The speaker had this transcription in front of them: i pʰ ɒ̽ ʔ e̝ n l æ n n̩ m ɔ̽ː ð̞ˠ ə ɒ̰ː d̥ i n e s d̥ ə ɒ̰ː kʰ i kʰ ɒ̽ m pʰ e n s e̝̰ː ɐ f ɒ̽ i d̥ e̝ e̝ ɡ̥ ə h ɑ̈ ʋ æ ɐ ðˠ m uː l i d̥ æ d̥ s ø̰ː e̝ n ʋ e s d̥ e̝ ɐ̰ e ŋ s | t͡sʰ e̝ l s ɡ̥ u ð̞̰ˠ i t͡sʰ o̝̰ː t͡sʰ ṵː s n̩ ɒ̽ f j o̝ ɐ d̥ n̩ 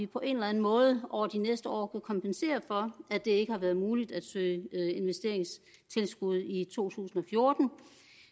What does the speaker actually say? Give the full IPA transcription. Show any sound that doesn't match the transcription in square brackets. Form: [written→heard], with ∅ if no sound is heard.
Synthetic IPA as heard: i pʰ ɒ̽ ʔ e̝ n l æ n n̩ m ɔ̽ː ð̞ˠ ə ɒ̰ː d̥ i n e s d̥ ə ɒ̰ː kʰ [i→æ] kʰ ɒ̽ m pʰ e n s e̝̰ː ɐ f ɒ̽ [i→æ] d̥ e̝ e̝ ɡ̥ ə h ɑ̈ ʋ æ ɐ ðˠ m uː l i d̥ æ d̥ s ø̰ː e̝ n ʋ e s d̥ e̝ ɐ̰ e ŋ s | t͡sʰ e̝ l s ɡ̥ u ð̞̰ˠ i t͡sʰ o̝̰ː t͡sʰ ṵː s n̩ ɒ̽ f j o̝ ɐ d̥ n̩

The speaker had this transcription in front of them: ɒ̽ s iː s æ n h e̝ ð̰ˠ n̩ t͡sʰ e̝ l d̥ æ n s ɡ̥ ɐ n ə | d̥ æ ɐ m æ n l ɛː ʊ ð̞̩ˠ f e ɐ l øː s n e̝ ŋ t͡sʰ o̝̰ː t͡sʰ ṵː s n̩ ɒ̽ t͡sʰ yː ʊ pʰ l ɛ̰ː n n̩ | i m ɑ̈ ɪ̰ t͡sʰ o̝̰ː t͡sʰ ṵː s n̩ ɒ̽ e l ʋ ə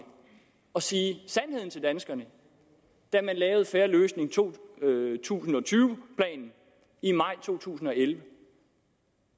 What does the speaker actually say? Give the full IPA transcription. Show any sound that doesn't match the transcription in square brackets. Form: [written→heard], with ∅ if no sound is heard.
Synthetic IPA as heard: ɒ̽ s iː s æ n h e̝ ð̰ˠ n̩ t͡sʰ e̝ l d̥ æ n s ɡ̥ ɐ n ə | d̥ æ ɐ m æ n l ɛː ʊ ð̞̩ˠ f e ɐ l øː s n e̝ ŋ t͡sʰ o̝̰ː t͡sʰ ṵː s n̩ ɒ̽ t͡sʰ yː ʊ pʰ l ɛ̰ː n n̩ | i m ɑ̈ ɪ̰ t͡sʰ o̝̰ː t͡sʰ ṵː s n̩ ɒ̽ e l ʋ ə

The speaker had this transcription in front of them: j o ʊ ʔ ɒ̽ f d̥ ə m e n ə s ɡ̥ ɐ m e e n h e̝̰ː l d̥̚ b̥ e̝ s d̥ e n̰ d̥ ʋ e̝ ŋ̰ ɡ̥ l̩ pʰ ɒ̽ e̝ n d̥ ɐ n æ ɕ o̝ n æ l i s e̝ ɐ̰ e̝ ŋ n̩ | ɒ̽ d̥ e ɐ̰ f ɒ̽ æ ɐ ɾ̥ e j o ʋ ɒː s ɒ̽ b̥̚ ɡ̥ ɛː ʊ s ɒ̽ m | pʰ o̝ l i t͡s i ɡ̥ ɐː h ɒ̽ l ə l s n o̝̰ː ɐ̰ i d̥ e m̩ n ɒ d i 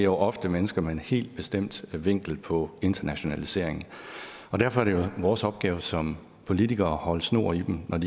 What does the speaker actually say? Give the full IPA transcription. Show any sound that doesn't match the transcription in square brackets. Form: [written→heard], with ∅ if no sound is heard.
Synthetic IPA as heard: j o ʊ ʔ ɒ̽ f d̥ ə m e n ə s ɡ̥ ɐ m e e n h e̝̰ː l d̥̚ b̥ e̝ s d̥ e [n̰→m̰] d̥ ʋ e̝ ŋ̰ ɡ̥ l̩ pʰ ɒ̽ e̝ n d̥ ɐ n æ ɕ o̝ n æ l i s e̝ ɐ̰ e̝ ŋ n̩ | ɒ̽ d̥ [e→æ] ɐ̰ f ɒ̽ æ ɐ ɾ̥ e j o ʋ ɒː s ɒ̽ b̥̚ ɡ̥ ɛː ʊ s ɒ̽ m | pʰ o̝ l i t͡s i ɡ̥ ɐː h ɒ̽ l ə [l→∅] s n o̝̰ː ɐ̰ i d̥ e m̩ n ɒ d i

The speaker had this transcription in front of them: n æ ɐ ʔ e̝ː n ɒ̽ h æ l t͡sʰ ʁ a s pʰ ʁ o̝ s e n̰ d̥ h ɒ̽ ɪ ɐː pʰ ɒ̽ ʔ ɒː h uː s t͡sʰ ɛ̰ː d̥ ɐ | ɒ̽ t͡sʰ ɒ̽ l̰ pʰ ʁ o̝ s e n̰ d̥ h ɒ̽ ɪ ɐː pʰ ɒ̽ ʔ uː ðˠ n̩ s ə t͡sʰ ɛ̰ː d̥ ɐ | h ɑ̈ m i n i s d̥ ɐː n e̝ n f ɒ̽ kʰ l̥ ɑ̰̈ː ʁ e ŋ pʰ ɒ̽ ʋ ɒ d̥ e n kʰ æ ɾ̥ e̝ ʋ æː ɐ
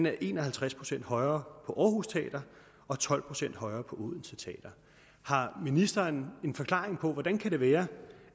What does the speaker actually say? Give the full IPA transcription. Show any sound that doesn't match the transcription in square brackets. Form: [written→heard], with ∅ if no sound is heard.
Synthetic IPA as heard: n æ ɐ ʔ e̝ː n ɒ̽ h æ l t͡sʰ ʁ a s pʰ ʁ o̝ s e n̰ d̥ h ɒ̽ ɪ ɐː pʰ ɒ̽ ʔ ɒː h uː s t͡sʰ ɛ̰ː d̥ ɐ | ɒ̽ t͡sʰ ɒ̽ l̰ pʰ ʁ o̝ s e n̰ d̥ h ɒ̽ ɪ ɐː pʰ ɒ̽ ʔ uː ðˠ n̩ s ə t͡sʰ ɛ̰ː d̥ ɐ | h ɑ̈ m i n i s d̥ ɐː n e̝ n f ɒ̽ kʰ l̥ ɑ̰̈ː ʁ e ŋ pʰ ɒ̽ ʋ ɒ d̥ [e→æ] n kʰ æ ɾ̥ e̝ ʋ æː ɐ

